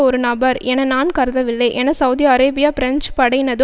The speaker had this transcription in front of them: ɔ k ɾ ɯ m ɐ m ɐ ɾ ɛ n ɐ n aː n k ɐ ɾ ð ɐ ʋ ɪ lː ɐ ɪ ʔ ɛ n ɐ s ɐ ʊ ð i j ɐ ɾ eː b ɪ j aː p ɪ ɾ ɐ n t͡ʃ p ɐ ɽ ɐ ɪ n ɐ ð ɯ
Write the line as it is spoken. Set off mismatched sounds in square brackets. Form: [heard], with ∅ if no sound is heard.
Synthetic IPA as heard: ɔ [∅] ɾ ɯ [n] ɐ [b] ɐ ɾ ɛ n ɐ n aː n k ɐ ɾ ð ɐ ʋ ɪ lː ɐ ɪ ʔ ɛ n ɐ s ɐ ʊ ð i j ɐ ɾ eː b ɪ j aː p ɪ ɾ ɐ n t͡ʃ p ɐ ɽ ɐ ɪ n ɐ ð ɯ

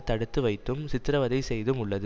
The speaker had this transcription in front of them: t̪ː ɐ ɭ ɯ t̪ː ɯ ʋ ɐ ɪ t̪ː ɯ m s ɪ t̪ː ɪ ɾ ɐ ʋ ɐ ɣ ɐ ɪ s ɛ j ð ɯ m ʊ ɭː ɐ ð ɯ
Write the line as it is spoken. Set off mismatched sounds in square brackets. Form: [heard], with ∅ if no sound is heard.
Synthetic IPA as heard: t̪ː ɐ [ɽ] ɯ t̪ː ɯ ʋ ɐ ɪ t̪ː ɯ m s ɪ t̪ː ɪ ɾ ɐ ʋ ɐ [ð] ɐ ɪ s ɛ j ð ɯ m ʊ ɭː ɐ ð ɯ

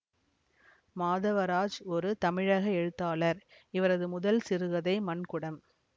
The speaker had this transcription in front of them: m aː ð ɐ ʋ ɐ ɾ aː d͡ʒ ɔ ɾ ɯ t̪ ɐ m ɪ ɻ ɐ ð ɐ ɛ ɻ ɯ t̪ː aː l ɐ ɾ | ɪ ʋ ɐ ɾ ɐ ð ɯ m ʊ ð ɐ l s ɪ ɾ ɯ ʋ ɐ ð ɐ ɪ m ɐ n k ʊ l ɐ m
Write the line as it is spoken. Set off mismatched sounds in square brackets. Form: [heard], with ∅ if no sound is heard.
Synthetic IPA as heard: m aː ð ɐ ʋ ɐ ɾ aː d͡ʒ ɔ ɾ ɯ t̪ ɐ m ɪ ɻ ɐ [ɣ] ɐ ɛ ɻ ɯ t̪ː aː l ɐ ɾ | ɪ ʋ ɐ ɾ ɐ ð ɯ m ʊ ð ɐ l s ɪ ɾ ɯ ʋ ɐ ð ɐ ɪ m ɐ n k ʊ [ɽ] ɐ m

